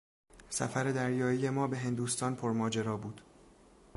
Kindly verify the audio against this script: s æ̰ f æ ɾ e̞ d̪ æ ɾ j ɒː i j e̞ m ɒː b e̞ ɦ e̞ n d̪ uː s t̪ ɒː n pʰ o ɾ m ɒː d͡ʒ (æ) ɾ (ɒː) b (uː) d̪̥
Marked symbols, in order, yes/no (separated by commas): no, yes, yes